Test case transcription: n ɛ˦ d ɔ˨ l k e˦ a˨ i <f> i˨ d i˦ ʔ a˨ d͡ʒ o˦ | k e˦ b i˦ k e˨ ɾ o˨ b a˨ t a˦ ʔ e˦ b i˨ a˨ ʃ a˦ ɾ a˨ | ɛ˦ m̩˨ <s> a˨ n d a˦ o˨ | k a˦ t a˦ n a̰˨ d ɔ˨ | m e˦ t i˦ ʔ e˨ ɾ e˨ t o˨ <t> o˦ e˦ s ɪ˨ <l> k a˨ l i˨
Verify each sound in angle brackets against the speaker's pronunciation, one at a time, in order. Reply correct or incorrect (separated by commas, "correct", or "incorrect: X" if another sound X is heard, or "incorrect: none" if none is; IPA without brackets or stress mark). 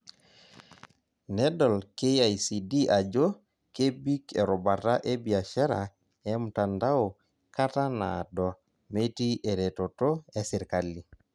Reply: incorrect: s, incorrect: t, correct, incorrect: ɾ